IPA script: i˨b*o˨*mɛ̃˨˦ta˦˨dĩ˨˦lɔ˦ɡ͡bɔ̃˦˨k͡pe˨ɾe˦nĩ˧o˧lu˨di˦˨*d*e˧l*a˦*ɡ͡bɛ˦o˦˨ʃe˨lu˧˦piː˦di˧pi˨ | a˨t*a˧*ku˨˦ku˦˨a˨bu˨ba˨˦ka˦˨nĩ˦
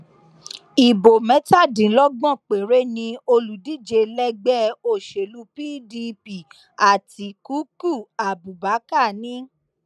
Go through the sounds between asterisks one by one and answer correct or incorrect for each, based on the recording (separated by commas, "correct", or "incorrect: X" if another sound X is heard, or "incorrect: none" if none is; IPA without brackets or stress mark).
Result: correct, incorrect: d͡ʒ, incorrect: ɛ˦, incorrect: i˧